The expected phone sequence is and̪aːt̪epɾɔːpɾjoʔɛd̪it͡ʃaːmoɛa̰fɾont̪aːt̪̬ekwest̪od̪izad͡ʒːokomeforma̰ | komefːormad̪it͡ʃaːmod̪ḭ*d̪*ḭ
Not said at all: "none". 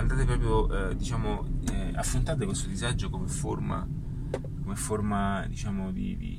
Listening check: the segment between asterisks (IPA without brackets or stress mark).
d̪